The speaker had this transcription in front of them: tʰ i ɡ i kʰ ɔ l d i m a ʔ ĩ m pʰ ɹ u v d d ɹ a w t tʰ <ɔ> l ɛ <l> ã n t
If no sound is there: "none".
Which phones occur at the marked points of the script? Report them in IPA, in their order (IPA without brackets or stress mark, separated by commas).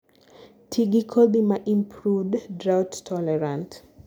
ɔ, ɹ